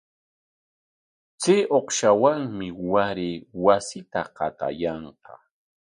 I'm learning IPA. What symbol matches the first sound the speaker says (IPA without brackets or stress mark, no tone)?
t͡s